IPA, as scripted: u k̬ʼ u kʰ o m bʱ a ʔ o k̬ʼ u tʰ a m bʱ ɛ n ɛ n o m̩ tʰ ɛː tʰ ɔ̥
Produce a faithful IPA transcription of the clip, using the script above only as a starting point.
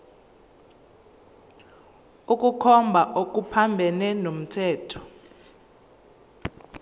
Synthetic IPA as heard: u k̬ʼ u kʰ ɔ m bʱ a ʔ o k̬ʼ u pʰ a m bʱ ɛ n ɛ n o m̩ tʰ ɛː tʰ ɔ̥

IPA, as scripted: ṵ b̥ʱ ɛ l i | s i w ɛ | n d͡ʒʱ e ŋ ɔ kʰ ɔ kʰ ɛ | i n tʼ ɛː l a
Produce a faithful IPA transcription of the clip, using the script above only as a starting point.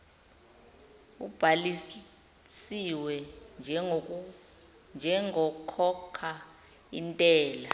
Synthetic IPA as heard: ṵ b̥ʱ a l i | s i w ɛ | n d͡ʒʱ ɛ ŋ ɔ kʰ ɔ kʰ a | i n tʼ ɛː l a

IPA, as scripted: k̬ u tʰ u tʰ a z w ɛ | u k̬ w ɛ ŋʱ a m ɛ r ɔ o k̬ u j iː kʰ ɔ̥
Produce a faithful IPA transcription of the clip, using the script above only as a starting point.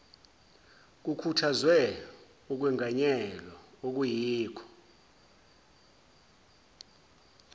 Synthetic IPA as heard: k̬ u kʰ u tʰ a z w ɛ | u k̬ w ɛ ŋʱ a ɲ ɛ l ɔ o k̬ u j iː kʰ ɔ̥

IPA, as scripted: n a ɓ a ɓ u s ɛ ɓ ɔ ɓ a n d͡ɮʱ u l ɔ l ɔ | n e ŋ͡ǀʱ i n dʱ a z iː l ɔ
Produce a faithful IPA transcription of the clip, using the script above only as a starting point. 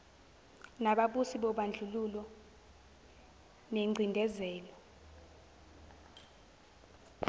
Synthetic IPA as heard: n a ɓ a ɓ u s i ɓ ɔ ɓ a n d͡ɮʱ u l u l ɔ | n e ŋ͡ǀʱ i n dʱ ɛ z ɛː l ɔ

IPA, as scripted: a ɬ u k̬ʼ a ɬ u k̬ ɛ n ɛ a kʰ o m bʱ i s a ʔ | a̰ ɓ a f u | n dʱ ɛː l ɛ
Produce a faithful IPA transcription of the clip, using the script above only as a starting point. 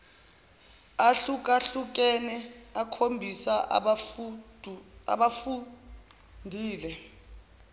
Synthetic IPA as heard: a ɬ u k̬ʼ a ɬ u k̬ ɛ n ɛ a kʰ o m bʱ i s a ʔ | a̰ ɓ a f u | n dʱ iː l ɛ

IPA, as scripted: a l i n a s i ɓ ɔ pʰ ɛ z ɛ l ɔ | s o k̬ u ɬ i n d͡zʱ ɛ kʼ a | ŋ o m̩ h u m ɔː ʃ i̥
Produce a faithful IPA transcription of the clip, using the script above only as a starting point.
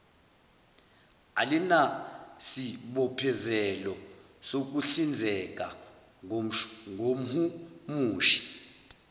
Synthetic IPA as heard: a l i n a s i ɓ ɔ pʰ ɛ z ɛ l ɔ | s o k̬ u ɬ i n d͡zʱ ɛ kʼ a | ŋ o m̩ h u m uː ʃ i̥

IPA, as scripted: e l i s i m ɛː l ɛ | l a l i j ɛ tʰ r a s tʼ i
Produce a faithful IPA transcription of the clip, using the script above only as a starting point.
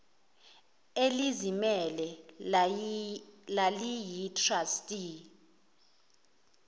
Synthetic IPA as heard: e l i z i m ɛ l ɛ | l a l i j i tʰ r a s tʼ i

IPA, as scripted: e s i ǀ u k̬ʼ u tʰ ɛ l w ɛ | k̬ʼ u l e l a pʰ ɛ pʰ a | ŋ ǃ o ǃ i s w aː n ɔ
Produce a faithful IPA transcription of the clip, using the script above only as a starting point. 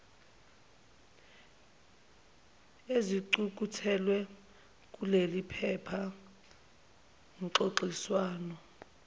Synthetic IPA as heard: e z i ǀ u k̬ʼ u tʰ ɛ l w ɛ | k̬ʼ u l e l i pʰ ɛ pʰ a | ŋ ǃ o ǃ i s w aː n ɔ

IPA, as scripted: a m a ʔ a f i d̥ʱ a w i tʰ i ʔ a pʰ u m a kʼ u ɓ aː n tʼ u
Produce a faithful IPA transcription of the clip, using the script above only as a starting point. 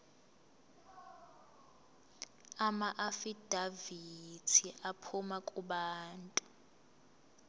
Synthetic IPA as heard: a m a ʔ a f i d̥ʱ a v i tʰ i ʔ a pʰ u m a kʼ u ɓ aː n tʼ u

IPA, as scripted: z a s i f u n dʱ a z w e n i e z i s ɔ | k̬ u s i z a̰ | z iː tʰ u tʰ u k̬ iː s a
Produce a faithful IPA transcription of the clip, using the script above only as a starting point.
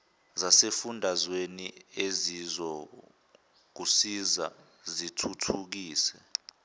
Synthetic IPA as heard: z a s e f u n dʱ a z w e n i e z i z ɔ | k̬ u s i z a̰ | z i tʰ u tʰ u k̬ iː s ɛ

